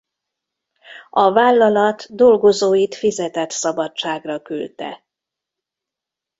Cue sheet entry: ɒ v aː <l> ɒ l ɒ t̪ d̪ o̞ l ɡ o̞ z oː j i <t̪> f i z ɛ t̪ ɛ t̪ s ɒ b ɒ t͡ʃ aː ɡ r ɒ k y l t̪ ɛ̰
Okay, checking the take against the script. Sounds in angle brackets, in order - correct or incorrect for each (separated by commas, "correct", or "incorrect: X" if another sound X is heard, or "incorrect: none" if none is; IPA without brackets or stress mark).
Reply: incorrect: lː, correct